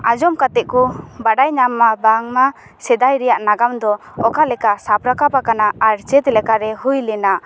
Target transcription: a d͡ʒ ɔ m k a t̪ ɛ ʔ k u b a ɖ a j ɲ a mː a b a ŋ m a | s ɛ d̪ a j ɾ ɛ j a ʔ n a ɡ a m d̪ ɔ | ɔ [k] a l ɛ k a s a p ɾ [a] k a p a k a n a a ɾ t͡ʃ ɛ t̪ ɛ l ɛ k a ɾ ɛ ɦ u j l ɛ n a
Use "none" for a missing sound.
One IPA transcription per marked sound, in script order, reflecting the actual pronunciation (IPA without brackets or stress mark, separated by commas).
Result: k, a